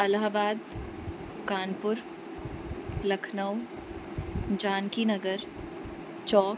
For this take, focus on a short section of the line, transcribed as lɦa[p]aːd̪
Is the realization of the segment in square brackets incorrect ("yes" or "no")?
yes